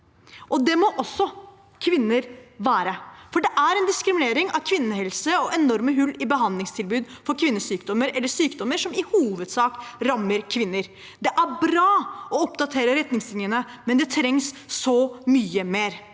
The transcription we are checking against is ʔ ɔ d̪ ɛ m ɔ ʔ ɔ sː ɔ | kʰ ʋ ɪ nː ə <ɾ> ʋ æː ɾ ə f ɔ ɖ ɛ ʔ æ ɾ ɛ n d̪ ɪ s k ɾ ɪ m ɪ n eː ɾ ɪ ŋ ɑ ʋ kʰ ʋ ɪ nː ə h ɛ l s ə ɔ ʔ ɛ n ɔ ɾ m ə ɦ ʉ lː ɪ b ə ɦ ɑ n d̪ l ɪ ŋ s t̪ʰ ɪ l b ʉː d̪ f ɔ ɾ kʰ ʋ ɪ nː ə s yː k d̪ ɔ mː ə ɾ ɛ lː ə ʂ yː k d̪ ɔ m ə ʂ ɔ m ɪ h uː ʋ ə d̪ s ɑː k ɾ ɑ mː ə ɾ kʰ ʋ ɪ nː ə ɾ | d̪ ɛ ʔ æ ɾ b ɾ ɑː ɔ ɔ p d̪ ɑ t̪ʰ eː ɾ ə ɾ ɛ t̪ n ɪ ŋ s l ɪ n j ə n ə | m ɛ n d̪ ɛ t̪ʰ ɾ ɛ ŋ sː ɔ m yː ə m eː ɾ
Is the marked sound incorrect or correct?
correct